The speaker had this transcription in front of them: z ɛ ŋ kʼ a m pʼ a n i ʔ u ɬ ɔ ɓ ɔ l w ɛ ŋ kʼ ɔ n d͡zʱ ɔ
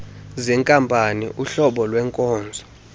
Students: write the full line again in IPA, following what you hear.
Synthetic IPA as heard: z ɛ ŋ kʼ a m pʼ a n i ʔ u ɬ ɔ ɓ ɔ l w ɛ ŋ kʼ ɔː n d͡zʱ ɔ